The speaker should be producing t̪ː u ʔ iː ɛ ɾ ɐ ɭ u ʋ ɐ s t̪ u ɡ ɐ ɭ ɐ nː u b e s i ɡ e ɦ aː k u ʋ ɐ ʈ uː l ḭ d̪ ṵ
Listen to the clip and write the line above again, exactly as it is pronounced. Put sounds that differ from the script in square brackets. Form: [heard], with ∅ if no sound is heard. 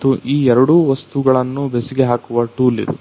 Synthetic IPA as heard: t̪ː u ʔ iː ɛ ɾ ɐ [ɽ] u ʋ ɐ s t̪ u ɡ ɐ ɭ ɐ nː u b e s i ɡ e ɦ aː k u ʋ ɐ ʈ uː l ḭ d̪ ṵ